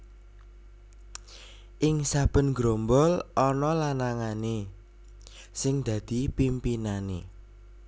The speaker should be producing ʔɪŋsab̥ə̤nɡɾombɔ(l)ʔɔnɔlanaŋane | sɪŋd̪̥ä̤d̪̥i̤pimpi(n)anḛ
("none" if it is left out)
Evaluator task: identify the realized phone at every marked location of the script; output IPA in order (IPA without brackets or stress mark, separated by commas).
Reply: l, n